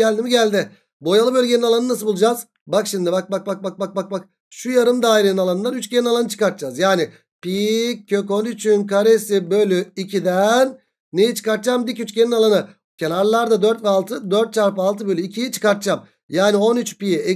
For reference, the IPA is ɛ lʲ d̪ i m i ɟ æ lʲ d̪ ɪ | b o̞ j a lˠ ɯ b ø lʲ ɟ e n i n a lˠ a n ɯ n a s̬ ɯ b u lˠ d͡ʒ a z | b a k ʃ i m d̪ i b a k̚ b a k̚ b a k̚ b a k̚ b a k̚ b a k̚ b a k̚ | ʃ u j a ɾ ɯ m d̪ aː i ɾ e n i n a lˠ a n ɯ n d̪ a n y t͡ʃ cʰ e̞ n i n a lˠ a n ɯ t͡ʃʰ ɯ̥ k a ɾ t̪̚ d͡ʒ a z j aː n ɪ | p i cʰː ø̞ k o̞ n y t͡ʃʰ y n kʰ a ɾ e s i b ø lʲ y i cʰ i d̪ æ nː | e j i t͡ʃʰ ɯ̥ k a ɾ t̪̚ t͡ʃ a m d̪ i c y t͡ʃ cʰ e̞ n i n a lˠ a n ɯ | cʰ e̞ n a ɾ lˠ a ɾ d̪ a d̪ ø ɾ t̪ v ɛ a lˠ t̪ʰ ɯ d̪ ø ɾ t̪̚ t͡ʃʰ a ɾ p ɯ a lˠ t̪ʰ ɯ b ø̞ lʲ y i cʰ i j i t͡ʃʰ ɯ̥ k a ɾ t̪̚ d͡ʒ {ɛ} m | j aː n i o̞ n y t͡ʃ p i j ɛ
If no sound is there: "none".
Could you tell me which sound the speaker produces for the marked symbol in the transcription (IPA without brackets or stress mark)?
a